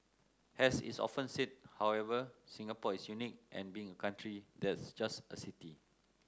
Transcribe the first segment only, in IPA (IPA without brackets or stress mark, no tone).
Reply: h